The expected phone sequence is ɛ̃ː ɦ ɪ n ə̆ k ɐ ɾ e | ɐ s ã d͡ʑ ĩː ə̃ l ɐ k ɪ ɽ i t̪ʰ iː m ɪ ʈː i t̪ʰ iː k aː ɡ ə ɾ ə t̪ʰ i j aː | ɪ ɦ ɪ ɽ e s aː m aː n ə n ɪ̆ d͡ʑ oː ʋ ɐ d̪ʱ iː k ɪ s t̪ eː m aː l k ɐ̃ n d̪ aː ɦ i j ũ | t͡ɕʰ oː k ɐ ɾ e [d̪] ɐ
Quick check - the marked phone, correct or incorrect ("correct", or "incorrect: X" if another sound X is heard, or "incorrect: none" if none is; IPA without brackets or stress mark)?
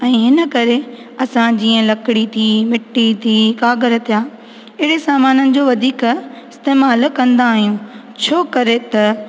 incorrect: t̪